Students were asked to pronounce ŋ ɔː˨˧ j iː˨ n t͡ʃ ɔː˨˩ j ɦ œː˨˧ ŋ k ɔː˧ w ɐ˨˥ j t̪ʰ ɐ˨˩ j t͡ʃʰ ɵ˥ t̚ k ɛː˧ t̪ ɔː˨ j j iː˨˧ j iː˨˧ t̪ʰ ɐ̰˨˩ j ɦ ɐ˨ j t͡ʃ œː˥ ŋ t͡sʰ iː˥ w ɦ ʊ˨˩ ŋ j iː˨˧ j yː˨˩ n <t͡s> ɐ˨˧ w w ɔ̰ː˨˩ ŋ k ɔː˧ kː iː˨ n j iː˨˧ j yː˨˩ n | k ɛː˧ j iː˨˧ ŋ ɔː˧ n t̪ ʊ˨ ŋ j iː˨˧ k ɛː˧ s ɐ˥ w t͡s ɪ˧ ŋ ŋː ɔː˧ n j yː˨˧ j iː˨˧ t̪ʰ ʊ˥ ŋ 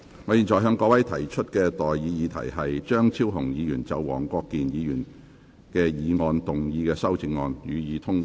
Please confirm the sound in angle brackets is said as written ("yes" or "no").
yes